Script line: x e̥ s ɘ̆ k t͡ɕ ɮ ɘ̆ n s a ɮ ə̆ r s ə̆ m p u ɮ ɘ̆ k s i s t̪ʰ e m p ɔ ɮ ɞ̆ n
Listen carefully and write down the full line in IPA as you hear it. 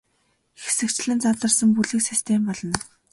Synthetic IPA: x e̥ s ɘ̆ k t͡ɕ ɮ ɘ̆ n t͡s a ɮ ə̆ r s ə̆ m p u ɮ ɘ̆ k s i s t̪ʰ e m p ɔ ɮ ɞ̆ n

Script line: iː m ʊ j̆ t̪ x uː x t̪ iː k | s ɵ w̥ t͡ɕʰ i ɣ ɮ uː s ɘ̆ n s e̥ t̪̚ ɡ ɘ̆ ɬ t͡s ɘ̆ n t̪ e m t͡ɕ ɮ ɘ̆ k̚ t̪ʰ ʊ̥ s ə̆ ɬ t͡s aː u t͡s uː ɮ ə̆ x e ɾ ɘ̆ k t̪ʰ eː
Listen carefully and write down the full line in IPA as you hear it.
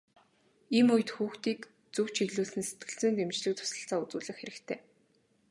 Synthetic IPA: iː m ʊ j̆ t̪ x uː x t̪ iː k | t͡s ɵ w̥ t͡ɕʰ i ɣ ɮ uː s ɘ̆ n s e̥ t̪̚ ɡ ɘ̆ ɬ t͡s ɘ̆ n t̪ e m t͡ɕ ɮ ɘ̆ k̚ t̪ʰ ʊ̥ s ə̆ ɬ t͡s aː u t͡s uː ɮ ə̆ x e ɾ ɘ̆ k t̪ʰ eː

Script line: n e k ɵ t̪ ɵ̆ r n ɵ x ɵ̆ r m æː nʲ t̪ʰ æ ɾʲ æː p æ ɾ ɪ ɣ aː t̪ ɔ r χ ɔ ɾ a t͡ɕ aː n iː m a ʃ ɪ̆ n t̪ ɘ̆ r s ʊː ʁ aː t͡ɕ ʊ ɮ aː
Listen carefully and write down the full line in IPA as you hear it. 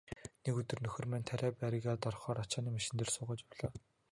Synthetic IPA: n e k ɵ t̪ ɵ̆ r n ɵ x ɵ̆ r m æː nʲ t̪ʰ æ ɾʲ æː p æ ɾ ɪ ɣ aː t̪ ɔ r χ ɔː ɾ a t͡ɕ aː n iː m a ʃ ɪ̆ n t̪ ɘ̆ r s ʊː ʁ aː t͡ɕ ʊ ɮ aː

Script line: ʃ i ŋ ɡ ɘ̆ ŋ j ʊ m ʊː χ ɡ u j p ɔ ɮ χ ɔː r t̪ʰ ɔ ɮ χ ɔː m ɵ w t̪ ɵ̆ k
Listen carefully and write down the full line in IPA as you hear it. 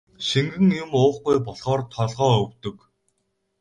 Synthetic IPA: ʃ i ŋ ɡ ɘ̆ ŋ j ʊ m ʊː χ ɡ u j p ɔ ɮ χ ɔː r t̪ʰ ɔ ɮ ʁ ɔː ɵ w t̪ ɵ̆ k

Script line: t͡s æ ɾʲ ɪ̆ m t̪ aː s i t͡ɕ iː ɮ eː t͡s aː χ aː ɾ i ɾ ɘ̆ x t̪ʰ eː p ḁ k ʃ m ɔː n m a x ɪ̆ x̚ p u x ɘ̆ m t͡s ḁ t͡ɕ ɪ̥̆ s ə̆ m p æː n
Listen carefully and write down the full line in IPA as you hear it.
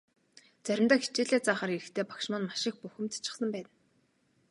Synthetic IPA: t͡s æ ɾʲ ɪ̆ m t̪ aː x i t͡ɕ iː ɮ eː t͡s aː χ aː ɾ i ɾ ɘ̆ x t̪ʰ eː p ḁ k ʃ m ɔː n m a ʃ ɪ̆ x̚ p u x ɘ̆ m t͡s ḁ t͡ɕ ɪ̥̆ s ə̆ m p æː n

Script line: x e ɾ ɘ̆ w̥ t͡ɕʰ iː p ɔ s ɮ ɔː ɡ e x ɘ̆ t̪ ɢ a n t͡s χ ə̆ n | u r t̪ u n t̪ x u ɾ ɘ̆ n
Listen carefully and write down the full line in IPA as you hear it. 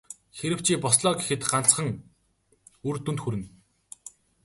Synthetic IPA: x e ɾ ɘ̆ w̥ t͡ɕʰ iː p ɔ s ɮ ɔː ɡ e x ɘ̆ t̪ ɢ a n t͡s χ ə̆ ŋ | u r t̪ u n t̪ x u ɾ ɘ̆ n

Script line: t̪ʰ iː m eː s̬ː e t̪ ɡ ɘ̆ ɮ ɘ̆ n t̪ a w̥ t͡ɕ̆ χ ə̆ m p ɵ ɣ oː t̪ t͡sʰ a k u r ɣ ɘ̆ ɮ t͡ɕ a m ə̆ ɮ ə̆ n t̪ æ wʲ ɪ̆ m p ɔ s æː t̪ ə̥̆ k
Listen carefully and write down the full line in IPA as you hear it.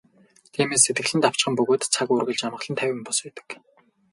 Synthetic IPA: t̪ʰ iː m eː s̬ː e t̪ ɡ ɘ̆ ɮ ɘ̆ n t̪ a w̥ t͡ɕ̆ χ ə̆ m p ɵ ɣ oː t̪ t͡sʰ a k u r ɣ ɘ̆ ɮ t͡ɕ a m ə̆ ɮ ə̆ n t̪ʰ æ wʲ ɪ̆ m p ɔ s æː t̪ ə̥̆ k

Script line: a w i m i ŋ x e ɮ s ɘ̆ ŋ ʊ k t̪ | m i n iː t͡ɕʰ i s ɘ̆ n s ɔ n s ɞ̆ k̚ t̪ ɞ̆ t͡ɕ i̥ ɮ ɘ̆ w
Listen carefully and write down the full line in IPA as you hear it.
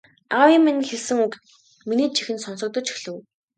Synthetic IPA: a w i m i n x e ɮ s ɘ̆ ŋ u k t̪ | m i n iː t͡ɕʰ i x ɘ̆ n s ɔ n s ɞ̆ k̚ t̪ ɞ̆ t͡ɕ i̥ ɮ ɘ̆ w

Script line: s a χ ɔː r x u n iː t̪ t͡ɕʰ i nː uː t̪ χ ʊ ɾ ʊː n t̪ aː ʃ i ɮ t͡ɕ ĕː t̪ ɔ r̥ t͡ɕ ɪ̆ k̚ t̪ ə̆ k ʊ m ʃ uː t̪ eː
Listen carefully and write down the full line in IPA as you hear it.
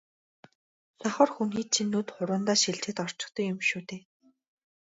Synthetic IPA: s a χ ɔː r x u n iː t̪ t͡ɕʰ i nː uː t̪ χ ʊ ɾ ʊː n t̪ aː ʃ i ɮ t͡ɕ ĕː t̪ ɔ r̥ t͡ɕ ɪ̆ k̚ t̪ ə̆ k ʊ m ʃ uː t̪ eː

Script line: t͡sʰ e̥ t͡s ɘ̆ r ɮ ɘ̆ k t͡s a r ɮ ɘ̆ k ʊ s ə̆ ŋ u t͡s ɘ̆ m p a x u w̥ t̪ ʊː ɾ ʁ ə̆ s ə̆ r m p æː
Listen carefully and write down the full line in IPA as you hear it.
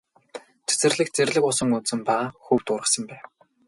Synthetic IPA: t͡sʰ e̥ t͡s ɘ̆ r ɮ ɘ̆ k t͡s e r ɮ ɘ̆ k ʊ s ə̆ ŋ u t͡s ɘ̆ m p a x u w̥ t̪ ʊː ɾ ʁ ə̆ s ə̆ m p æː

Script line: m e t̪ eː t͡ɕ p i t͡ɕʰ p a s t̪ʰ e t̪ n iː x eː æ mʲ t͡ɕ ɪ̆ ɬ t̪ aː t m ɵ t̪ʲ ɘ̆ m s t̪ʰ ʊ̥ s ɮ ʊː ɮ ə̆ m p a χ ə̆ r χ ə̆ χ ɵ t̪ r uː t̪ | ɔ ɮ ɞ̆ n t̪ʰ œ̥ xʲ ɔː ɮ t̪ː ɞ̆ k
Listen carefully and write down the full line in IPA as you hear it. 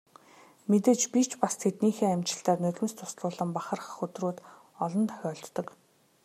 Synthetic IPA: m e t̪ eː t͡ɕ p i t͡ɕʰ p a s t̪ʰ e t̪ n iː x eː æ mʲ t͡ɕ ɪ̆ ɬ t̪ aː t n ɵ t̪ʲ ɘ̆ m s t̪ʰ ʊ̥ s ɮ ʊː ɮ ə̆ m p a χ ə̆ r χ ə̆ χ ɵ t̪ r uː t̪ | ɔ ɮ ɞ̆ n t̪ʰ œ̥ xʲ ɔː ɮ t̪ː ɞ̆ k

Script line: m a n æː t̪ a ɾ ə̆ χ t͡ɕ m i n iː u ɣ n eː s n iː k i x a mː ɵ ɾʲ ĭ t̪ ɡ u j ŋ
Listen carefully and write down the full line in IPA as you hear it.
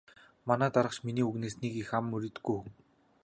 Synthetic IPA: m a n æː t̪ a ɾ ə̆ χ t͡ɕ m i n iː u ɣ n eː s n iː k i x a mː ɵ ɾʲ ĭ t̪ ɡ u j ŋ

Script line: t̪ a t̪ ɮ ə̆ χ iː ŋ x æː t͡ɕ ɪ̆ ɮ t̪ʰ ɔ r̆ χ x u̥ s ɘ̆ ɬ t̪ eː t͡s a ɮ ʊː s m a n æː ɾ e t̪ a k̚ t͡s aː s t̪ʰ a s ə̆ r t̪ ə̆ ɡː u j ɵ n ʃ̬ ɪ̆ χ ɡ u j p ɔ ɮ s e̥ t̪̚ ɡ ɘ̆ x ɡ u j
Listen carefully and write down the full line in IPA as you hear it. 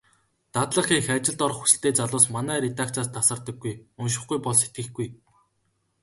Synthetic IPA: t̪ a t̪ ɮ ə̆ χ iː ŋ x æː t͡ɕ ɪ̆ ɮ t̪ ɔ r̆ χ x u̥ s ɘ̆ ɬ t̪ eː t͡s a ɮ ʊː s m a n æː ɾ e t̪ a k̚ t͡s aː s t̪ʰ a s ə̆ r t̪ ə̆ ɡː u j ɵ n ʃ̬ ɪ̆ χ ɡ u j p ɔ ɮ s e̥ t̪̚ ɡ ɘ̆ x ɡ u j

